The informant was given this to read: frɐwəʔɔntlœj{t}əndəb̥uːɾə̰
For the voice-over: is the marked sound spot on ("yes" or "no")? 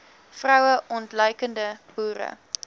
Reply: no